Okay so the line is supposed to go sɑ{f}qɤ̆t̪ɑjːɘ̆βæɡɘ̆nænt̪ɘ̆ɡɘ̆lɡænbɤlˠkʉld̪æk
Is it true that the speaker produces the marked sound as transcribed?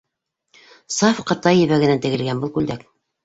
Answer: yes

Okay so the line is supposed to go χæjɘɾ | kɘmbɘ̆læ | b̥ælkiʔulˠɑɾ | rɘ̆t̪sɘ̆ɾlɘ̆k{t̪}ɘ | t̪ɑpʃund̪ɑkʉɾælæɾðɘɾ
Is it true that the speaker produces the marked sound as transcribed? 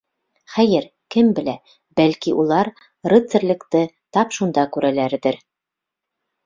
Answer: yes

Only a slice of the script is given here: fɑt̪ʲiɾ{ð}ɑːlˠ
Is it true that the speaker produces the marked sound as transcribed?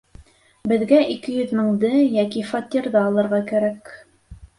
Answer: yes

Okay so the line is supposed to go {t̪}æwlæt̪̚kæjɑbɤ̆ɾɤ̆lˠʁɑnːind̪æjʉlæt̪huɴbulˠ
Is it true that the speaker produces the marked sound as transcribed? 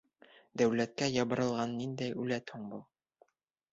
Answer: no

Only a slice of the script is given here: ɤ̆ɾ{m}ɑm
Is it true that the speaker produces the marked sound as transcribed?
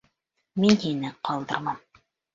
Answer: yes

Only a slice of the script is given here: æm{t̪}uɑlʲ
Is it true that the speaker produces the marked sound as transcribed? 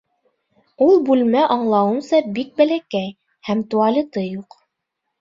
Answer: yes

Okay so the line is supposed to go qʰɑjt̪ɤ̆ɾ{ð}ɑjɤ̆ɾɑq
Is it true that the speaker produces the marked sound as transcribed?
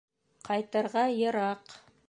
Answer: no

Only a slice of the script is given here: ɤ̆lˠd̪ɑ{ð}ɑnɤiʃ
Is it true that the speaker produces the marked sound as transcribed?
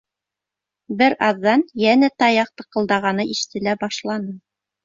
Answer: no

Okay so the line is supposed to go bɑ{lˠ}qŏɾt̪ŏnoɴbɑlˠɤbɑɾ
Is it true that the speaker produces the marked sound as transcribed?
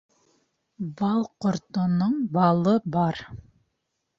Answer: yes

